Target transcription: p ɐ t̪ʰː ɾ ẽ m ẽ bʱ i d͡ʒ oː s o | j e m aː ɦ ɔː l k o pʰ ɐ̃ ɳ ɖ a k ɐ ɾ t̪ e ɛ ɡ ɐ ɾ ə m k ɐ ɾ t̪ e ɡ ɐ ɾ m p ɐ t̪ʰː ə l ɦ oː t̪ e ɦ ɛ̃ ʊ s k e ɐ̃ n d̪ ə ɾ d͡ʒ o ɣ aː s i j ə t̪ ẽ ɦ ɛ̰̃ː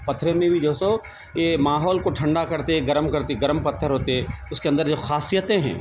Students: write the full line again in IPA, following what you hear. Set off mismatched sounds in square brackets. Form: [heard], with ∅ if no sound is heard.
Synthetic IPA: p ɐ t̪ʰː ɾ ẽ m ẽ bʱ i d͡ʒ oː s o | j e m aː ɦ ɔː l k o [ʈʰ] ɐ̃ ɳ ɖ a k ɐ ɾ t̪ e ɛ ɡ ɐ ɾ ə m k ɐ ɾ t̪ e ɡ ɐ ɾ m p ɐ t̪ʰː ə [ɾ] ɦ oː t̪ e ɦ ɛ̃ ʊ s k e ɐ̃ n d̪ ə ɾ d͡ʒ o [x] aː s i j ə t̪ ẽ ɦ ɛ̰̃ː